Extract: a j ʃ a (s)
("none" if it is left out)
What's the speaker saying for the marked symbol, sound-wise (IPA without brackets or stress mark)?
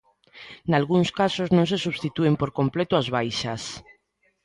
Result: s